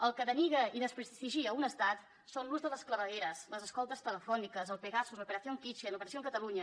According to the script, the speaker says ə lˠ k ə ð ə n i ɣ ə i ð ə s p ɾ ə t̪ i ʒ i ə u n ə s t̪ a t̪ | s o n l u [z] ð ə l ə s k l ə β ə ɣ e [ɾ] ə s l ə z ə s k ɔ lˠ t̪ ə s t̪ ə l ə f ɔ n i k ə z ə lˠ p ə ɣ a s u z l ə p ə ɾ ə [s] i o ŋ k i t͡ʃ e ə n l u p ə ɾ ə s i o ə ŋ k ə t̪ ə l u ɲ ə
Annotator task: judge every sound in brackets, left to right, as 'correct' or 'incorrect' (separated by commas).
correct, correct, incorrect